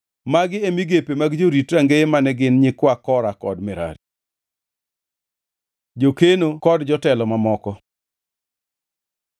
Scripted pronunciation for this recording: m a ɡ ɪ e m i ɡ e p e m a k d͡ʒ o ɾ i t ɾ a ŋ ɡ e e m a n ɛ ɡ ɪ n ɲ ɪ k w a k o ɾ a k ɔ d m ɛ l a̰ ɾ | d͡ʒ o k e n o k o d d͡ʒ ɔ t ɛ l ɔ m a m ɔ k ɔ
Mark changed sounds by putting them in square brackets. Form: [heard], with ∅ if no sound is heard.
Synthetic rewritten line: m a ɡ ɪ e m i ɡ e p e m a [ɡ] d͡ʒ o ɾ i t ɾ a ŋ ɡ e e m a n ɛ ɡ ɪ n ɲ ɪ k w a k [ɔ] ɾ a k ɔ d m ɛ [ɾ] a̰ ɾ | d͡ʒ o k e n o k [ɔ] d d͡ʒ ɔ t ɛ l ɔ m a m ɔ k ɔ